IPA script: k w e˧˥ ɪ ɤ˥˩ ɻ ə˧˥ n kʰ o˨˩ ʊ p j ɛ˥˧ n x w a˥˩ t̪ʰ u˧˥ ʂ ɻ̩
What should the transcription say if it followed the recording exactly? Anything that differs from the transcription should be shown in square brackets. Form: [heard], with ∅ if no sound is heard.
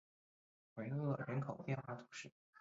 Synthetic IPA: [x] w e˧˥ ɪ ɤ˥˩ ɻ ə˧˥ n kʰ o˨˩ ʊ p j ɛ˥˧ n x w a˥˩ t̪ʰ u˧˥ ʂ ɻ̩